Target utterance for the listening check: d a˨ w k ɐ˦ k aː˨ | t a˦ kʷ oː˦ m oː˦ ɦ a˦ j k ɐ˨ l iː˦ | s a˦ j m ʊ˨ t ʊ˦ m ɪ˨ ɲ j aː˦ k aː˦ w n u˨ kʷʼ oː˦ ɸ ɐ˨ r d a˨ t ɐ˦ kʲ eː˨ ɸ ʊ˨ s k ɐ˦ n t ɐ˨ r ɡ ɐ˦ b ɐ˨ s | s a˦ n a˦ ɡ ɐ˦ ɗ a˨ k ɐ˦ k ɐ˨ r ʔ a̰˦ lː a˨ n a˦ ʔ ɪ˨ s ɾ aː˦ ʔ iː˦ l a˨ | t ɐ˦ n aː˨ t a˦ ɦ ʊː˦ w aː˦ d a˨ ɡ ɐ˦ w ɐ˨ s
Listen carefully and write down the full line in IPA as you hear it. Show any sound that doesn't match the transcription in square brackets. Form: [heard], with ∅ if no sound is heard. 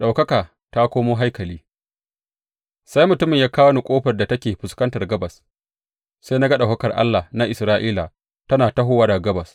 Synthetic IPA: [ɗ] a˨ w k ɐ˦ k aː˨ | t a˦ kʷ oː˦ m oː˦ ɦ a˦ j k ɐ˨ l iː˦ | s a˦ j m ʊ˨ t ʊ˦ m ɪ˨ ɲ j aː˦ k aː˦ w n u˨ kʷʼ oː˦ ɸ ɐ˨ r d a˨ t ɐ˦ kʲ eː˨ ɸ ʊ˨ s k ɐ˦ n t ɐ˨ r ɡ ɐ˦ b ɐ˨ s | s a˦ n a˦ ɡ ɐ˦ ɗ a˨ k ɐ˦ k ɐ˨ r ʔ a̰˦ lː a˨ n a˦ ʔ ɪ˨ s ɾ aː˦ ʔ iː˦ l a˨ | t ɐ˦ n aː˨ t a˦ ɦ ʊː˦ w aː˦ d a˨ ɡ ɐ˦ [b] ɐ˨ s